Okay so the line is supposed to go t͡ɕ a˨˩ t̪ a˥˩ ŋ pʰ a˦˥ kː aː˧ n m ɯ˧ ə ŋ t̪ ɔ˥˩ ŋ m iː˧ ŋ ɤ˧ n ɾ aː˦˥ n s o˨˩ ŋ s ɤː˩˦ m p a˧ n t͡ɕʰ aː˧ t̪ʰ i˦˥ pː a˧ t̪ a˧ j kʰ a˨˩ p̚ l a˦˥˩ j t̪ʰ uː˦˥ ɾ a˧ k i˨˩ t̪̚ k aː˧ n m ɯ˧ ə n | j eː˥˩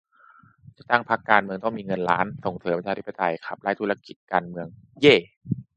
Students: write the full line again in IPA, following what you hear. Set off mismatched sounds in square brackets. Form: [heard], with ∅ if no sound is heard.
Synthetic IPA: t͡ɕ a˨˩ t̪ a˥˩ ŋ pʰ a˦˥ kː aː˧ n m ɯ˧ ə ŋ t̪ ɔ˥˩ ŋ m iː˧ ŋ ɤ˧ n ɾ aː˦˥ n s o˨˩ ŋ s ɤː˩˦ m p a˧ n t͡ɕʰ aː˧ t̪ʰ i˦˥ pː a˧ t̪ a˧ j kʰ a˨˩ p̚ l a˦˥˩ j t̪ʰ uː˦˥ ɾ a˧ k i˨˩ t̪̚ k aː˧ n m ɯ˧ ə [ŋ] | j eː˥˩

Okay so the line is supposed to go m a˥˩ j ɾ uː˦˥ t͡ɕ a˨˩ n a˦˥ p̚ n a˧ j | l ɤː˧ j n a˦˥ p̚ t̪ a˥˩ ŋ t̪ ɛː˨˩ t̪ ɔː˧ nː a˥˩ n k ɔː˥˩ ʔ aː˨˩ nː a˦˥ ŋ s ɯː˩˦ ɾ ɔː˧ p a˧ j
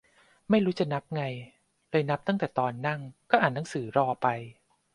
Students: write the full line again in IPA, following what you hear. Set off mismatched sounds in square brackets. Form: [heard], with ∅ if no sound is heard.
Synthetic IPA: m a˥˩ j ɾ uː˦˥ t͡ɕ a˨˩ n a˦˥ p̚ [ŋ] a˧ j | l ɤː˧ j n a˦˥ p̚ t̪ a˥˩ ŋ t̪ ɛː˨˩ t̪ ɔː˧ nː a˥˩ [ŋ] k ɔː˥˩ ʔ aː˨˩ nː a˦˥ ŋ s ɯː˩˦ ɾ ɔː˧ p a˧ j

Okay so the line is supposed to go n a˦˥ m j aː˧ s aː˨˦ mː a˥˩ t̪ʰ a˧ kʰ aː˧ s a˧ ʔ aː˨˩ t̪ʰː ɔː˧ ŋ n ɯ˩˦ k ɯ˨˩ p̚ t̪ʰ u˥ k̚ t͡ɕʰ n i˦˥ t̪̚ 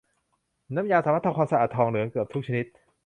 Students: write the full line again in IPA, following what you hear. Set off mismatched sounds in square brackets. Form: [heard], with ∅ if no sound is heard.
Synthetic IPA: n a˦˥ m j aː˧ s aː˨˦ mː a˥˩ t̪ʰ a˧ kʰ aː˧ s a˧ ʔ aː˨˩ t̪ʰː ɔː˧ ŋ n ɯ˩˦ k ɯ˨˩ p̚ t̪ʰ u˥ k̚ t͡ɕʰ n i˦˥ t̪̚

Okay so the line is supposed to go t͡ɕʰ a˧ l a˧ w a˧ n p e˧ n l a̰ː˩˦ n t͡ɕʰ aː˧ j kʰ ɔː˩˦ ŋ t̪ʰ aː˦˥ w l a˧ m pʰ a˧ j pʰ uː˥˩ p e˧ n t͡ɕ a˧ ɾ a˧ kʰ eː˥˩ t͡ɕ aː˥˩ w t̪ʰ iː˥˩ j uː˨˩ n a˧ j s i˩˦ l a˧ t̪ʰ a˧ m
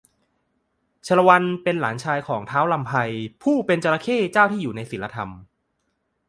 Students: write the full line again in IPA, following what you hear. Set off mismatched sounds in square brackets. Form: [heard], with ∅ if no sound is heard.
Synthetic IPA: t͡ɕʰ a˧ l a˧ w a˧ n p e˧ n l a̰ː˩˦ n t͡ɕʰ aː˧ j kʰ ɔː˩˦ ŋ t̪ʰ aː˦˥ w l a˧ m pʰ a˧ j pʰ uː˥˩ p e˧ n t͡ɕ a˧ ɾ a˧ kʰ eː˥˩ t͡ɕ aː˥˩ w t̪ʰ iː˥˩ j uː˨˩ n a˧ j s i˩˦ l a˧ t̪ʰ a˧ m

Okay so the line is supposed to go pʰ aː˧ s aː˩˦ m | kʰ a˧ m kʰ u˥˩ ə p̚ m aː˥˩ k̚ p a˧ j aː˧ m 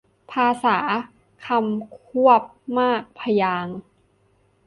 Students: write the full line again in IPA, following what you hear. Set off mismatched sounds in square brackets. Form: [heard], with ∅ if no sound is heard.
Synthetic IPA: pʰ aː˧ s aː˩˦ [∅] | kʰ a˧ m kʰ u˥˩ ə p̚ m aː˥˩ k̚ [pʰ] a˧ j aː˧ [ŋ]

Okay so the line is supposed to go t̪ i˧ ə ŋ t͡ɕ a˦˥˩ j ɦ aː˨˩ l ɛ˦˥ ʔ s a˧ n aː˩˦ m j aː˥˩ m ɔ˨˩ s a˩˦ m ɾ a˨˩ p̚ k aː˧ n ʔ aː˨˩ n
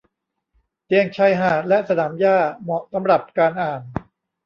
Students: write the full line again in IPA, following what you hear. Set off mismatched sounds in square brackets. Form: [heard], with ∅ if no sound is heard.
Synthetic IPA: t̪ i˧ ə ŋ [t͡ɕʰ] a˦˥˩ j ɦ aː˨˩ l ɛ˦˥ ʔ s a˧ n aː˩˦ m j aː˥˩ m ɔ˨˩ s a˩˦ m ɾ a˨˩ p̚ k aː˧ n ʔ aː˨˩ n

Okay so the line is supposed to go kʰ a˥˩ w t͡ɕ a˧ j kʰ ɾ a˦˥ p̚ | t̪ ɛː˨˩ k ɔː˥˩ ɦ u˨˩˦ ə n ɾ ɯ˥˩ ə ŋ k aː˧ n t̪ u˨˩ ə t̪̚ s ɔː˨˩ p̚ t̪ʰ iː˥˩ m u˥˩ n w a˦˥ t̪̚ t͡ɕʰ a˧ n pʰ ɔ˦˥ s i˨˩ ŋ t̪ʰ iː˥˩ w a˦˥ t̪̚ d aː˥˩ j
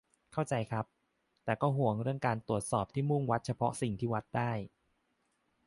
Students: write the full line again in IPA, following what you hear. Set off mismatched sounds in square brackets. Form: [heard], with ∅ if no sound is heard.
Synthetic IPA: kʰ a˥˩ w t͡ɕ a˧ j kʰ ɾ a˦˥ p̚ | t̪ ɛː˨˩ k ɔː˥˩ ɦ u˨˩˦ ə [ŋ] ɾ ɯ˥˩ ə ŋ k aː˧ n t̪ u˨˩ ə t̪̚ s ɔː˨˩ p̚ t̪ʰ iː˥˩ m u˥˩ [ŋ] w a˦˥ t̪̚ t͡ɕʰ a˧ [∅] pʰ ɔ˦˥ s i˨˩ ŋ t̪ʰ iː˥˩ w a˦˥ t̪̚ d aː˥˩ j

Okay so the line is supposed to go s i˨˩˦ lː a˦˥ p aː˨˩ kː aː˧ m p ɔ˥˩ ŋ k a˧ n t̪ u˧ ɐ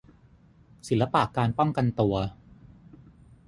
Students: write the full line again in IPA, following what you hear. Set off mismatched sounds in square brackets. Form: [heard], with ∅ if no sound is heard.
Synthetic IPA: s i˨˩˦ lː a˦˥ p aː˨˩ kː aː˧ [n] p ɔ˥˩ ŋ k a˧ n t̪ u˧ ɐ

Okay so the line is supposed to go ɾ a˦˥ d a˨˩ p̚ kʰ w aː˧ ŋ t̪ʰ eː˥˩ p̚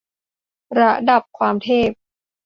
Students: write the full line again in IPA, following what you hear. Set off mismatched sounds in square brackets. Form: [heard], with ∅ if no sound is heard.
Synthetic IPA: ɾ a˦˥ d a˨˩ p̚ kʰ w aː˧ [m] t̪ʰ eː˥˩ p̚

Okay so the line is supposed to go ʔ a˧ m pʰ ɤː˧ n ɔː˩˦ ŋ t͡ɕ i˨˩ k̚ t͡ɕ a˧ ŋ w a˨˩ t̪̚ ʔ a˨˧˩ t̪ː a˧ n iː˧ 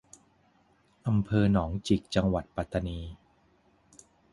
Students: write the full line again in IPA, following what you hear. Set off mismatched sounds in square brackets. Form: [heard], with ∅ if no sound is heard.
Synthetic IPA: ʔ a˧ m pʰ ɤː˧ n ɔː˩˦ ŋ t͡ɕ i˨˩ k̚ t͡ɕ a˧ ŋ w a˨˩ t̪̚ [p] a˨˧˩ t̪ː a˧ n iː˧

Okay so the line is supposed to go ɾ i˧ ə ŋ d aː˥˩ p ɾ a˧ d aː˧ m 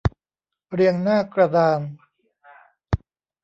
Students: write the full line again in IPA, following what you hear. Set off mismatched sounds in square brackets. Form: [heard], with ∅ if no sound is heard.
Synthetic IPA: ɾ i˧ ə ŋ [n] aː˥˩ [k] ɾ a˧ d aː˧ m

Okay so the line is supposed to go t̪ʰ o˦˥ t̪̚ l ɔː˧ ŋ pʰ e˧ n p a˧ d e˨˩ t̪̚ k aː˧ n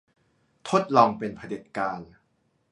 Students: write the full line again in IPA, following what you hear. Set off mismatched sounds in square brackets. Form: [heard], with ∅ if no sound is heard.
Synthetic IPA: t̪ʰ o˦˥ t̪̚ l ɔː˧ ŋ [p] e˧ n [pʰ] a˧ d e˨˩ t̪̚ k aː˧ n

